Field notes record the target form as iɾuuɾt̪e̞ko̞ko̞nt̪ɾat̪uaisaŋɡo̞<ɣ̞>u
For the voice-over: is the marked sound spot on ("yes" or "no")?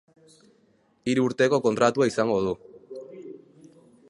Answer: no